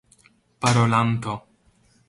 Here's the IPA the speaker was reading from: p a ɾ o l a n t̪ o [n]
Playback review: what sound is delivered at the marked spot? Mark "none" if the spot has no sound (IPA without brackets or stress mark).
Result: none